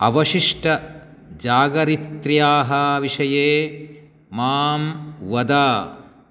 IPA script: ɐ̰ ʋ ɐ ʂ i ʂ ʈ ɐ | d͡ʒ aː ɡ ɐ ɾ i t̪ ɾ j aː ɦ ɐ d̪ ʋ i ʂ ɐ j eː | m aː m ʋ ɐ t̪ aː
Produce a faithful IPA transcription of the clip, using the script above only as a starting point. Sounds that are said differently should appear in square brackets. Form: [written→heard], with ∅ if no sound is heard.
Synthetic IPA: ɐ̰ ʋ ɐ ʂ i ʂ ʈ ɐ | d͡ʒ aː ɡ ɐ ɾ i t̪ ɾ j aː ɦ ɐ [d̪→∅] ʋ i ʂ ɐ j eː | m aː m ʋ ɐ [t̪→d̪] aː